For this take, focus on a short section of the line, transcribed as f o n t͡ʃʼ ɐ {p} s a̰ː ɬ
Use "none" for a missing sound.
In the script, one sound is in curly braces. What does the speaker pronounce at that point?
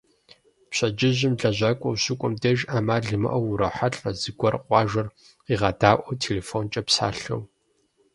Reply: p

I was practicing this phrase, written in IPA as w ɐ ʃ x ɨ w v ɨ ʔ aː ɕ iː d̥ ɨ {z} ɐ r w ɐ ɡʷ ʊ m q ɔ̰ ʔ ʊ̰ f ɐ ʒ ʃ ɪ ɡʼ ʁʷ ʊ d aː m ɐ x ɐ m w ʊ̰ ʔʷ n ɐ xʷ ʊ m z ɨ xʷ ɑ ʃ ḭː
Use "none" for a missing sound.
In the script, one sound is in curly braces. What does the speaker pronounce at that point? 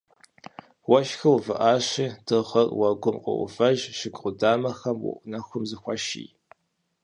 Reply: ʁ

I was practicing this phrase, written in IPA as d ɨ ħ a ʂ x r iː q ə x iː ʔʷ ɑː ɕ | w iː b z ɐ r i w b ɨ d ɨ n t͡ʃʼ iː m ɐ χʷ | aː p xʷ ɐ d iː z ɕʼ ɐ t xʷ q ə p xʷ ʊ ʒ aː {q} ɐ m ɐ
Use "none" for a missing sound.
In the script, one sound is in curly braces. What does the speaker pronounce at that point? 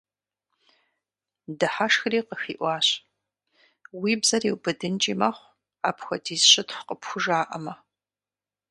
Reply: ʔ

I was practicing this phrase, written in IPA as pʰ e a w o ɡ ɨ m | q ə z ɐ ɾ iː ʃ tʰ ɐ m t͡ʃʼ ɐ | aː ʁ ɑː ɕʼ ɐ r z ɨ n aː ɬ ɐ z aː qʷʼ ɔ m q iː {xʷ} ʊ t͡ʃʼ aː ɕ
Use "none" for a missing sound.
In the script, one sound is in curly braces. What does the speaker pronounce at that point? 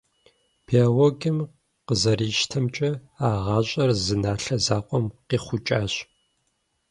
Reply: χʷ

